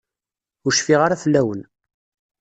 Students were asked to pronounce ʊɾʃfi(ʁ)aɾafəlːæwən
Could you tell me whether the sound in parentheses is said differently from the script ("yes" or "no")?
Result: no